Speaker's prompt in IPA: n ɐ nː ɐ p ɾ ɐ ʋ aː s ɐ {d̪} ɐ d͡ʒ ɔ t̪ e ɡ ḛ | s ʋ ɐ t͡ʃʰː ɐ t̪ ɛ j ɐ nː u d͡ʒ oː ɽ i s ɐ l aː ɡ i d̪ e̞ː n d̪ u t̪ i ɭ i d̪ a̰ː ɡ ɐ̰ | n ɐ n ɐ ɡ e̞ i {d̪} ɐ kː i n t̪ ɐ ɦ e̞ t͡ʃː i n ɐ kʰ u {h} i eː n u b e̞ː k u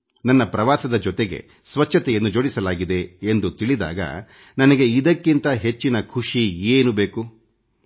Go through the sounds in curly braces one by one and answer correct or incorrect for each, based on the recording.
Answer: correct, correct, incorrect: ʂ

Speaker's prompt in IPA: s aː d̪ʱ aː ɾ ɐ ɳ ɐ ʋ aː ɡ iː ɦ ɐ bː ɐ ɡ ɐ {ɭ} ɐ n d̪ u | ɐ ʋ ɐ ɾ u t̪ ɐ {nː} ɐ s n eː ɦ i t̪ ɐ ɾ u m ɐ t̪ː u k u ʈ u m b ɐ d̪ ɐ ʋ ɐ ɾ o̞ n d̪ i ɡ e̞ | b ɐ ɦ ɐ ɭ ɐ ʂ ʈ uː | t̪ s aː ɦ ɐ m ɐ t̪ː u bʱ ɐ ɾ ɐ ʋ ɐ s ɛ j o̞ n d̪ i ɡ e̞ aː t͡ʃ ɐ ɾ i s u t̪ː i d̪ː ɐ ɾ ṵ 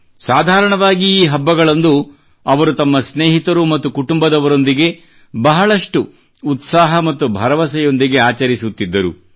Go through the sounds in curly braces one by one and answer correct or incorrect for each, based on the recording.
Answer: correct, incorrect: mː

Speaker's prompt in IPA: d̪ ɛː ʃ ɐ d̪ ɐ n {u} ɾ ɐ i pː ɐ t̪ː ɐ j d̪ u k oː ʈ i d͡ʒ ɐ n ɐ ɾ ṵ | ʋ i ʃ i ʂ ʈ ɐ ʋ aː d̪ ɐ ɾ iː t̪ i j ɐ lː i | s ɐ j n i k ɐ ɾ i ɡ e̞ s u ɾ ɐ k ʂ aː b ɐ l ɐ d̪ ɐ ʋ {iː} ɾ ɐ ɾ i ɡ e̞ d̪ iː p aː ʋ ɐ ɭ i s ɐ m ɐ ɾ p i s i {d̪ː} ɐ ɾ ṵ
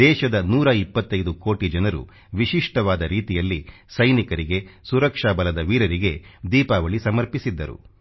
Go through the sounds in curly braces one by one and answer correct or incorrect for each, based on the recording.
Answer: incorrect: uː, correct, correct

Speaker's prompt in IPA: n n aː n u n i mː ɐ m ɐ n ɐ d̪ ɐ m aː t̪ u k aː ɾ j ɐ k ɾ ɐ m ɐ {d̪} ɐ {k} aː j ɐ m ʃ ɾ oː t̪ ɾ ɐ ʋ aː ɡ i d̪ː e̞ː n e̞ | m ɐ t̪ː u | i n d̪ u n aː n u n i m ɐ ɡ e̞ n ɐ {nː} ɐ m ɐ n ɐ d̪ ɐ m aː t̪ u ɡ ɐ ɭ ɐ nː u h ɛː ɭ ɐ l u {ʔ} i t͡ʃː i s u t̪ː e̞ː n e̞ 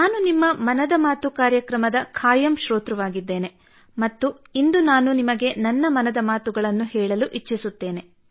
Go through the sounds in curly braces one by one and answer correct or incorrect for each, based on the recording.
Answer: correct, incorrect: kʰ, correct, correct

